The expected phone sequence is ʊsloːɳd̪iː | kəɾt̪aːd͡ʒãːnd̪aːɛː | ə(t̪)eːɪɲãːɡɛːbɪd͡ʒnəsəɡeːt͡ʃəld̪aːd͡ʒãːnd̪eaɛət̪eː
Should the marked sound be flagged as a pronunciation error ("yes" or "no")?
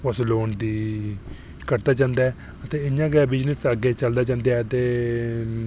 no